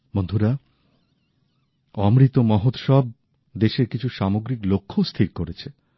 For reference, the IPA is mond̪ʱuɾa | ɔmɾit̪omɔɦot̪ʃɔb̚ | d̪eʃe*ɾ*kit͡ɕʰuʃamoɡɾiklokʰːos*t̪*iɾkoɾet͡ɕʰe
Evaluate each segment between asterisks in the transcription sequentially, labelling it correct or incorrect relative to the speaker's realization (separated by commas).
correct, incorrect